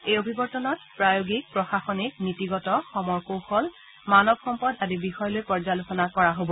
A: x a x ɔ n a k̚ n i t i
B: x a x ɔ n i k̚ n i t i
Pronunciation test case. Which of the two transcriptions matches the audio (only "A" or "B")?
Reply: B